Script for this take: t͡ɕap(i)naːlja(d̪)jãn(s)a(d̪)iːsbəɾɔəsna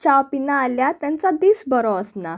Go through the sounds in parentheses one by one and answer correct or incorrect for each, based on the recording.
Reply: correct, incorrect, incorrect, correct

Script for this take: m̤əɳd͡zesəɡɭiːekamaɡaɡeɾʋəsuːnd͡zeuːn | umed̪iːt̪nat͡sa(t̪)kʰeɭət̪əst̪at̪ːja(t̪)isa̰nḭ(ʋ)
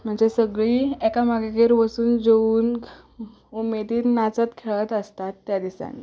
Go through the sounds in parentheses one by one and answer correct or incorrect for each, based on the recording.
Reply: correct, incorrect, incorrect

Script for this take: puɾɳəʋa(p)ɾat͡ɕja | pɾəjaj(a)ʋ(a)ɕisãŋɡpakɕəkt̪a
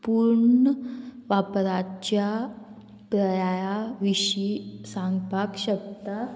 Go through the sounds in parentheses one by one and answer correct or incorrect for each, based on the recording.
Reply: correct, correct, incorrect

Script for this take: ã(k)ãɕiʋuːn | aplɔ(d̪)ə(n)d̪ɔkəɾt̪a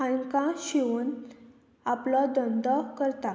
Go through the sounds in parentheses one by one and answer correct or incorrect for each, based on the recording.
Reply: correct, correct, correct

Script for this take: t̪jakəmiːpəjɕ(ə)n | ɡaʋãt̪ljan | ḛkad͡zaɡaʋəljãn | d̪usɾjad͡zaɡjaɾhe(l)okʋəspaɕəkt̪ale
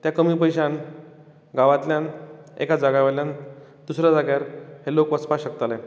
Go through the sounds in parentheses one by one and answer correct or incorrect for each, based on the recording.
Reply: incorrect, correct

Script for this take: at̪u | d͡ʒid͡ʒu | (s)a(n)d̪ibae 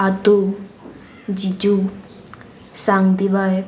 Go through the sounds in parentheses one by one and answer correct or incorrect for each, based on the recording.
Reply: correct, incorrect

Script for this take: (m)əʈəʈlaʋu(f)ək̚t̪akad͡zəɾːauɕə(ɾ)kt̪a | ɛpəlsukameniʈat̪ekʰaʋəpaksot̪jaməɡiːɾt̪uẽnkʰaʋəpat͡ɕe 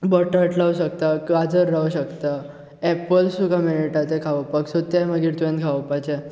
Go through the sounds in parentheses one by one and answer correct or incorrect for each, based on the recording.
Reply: incorrect, incorrect, incorrect

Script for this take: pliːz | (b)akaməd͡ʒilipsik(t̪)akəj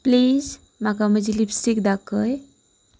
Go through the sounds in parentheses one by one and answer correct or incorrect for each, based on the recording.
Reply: incorrect, incorrect

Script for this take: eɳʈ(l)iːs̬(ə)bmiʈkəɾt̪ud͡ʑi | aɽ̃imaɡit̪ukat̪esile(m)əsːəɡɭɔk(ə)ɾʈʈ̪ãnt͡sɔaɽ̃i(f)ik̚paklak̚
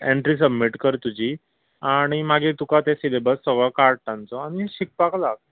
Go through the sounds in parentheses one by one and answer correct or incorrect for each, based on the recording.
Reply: incorrect, correct, incorrect, incorrect, incorrect

